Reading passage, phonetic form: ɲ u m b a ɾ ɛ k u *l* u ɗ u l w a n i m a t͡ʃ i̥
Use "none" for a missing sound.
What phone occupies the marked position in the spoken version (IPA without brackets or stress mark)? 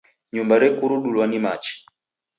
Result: ɾ